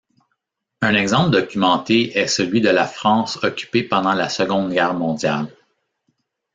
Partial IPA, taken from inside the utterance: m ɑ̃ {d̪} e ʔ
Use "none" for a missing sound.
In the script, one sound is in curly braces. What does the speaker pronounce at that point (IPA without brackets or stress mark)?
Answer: t̪